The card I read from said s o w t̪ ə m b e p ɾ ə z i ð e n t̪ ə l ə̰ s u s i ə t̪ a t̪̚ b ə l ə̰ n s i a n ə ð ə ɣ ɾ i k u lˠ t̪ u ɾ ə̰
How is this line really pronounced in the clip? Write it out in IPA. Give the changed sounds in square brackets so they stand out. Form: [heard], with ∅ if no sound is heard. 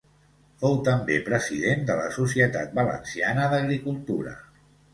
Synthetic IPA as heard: [f] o w t̪ ə m b e p ɾ ə z i ð e n [d̪] ə l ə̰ s u s i ə t̪ a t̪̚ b ə l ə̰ n s i a n ə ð ə ɣ ɾ i k u lˠ t̪ u ɾ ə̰